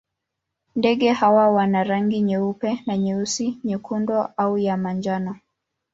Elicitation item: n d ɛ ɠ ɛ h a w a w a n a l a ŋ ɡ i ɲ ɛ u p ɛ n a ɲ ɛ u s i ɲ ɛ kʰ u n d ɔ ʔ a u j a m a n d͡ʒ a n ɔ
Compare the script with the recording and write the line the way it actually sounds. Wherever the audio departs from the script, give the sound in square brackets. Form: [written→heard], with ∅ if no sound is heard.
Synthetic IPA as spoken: n d ɛ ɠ ɛ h a w a w a n a [l→ɾ] a ŋ ɡ i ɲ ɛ u p ɛ n a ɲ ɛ u s i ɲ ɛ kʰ u n d ɔ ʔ a u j a m a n d͡ʒ a n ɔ